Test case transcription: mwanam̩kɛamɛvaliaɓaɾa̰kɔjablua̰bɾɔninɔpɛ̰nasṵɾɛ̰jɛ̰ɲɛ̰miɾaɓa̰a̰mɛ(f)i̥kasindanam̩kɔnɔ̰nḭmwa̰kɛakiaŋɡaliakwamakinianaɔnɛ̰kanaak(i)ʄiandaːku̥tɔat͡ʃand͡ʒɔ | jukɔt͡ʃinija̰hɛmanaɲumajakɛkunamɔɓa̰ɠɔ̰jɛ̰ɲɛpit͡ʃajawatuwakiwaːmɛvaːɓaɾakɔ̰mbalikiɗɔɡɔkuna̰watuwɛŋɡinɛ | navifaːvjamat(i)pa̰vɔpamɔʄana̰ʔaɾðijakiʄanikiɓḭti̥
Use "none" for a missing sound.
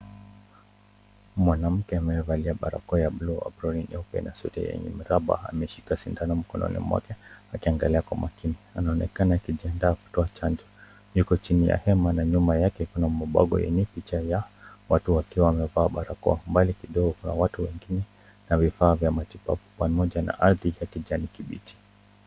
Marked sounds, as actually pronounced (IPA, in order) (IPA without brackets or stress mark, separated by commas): ʃ, i, i